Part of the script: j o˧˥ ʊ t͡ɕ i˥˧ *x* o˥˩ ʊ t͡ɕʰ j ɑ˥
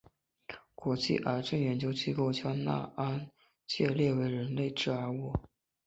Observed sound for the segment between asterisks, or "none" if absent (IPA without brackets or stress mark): k